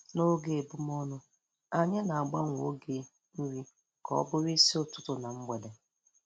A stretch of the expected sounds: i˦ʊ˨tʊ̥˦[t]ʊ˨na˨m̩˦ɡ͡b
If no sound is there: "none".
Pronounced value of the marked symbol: t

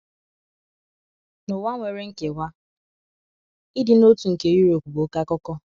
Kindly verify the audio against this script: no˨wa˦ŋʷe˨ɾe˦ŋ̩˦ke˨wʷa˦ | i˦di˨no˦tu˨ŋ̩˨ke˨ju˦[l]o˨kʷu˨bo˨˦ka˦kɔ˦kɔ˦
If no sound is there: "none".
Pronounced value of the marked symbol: ɾ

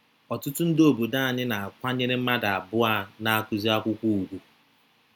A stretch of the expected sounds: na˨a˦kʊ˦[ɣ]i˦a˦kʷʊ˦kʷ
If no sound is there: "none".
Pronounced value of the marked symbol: z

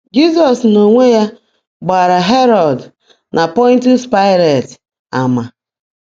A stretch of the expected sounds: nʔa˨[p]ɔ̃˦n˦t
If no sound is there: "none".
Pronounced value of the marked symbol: p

